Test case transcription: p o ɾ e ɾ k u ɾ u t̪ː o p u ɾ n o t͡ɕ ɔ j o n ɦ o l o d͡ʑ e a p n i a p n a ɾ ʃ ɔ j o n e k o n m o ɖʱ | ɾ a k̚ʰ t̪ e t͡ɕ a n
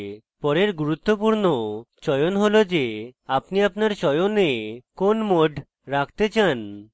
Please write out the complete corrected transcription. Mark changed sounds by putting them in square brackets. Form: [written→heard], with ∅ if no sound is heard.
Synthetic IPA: p [o→ɔ] ɾ e ɾ [k→ɡ] u ɾ u t̪ː o p u ɾ n o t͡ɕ ɔ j o n ɦ o l o d͡ʑ e a p n i a p n a ɾ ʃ ɔ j o n e k o n m o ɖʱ | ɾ a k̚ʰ t̪ e t͡ɕ a n